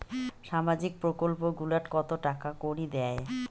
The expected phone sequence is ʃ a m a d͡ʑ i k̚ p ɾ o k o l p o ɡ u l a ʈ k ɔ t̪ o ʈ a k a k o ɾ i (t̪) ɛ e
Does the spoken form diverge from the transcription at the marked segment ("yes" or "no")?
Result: yes